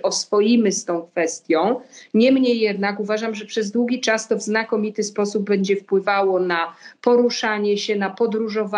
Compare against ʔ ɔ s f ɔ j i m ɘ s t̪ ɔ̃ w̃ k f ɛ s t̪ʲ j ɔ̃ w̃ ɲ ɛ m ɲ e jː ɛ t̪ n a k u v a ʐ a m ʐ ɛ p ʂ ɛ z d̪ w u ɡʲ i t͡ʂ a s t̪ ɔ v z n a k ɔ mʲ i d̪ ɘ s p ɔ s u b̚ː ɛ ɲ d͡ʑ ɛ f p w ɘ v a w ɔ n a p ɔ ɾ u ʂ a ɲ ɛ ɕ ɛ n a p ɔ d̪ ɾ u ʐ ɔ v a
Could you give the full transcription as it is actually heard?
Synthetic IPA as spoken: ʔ ɔ s f ɔ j i m ɘ s t̪ ɔ̃ w̃ k f ɛ s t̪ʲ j ɔ̃ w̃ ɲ ɛ m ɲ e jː ɛ d̪ n a k u v a ʐ a m ʐ ɛ p ʂ ɛ z d̪ w u ɡʲ i t͡ʂ a s t̪ ɔ v z n a k ɔ mʲ i t̪ ɘ s p ɔ s u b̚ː ɛ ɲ d͡ʑ ɛ f p w ɘ v a w ɔ n a p ɔ ɾ u ʂ a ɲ ɛ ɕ ɛ n a p ɔ d̪ ɾ u ʐ ɔ v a